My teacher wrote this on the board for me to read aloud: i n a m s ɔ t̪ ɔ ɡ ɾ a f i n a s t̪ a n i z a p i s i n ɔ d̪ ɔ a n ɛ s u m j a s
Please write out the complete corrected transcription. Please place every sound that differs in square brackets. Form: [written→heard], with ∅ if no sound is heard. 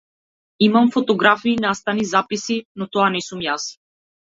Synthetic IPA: i [n→m] a m [s→f] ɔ t̪ ɔ ɡ ɾ a f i n a s t̪ a n i z a p i s i n ɔ [d̪→t̪] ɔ a n ɛ s u m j a s